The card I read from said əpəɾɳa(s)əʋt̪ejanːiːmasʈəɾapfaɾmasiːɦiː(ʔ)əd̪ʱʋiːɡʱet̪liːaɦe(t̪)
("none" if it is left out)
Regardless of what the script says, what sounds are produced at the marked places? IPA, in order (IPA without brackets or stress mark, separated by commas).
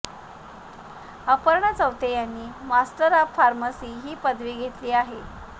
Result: t͡s, p, none